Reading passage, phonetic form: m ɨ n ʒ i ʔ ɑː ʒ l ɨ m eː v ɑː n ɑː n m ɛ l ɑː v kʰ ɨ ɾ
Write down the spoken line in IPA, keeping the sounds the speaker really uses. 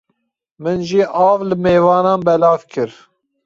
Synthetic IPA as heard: m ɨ n ʒ i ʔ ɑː v l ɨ m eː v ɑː n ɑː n b ɛ l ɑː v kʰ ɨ ɾ